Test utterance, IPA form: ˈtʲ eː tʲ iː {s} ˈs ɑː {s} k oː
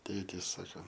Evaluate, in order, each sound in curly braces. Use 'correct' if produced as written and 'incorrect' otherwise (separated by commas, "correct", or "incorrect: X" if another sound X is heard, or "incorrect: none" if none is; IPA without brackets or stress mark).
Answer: correct, incorrect: none